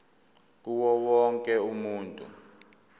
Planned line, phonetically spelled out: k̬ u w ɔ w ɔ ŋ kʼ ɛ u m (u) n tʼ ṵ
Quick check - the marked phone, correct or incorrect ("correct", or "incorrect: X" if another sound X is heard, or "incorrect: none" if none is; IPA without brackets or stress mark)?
incorrect: uː